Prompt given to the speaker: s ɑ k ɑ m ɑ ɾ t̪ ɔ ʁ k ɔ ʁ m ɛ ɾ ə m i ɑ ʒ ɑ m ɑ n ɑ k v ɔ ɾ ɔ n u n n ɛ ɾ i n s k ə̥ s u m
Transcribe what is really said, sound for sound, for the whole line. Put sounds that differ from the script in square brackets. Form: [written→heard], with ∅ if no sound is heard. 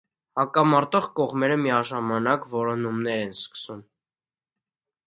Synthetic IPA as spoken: [s→h] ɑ k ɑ m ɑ ɾ t̪ ɔ ʁ k ɔ ʁ m ɛ ɾ ə m i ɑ ʒ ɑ m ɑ n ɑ k v ɔ ɾ ɔ n u [n→m] n ɛ ɾ [i→ɛ] n s k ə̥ s u m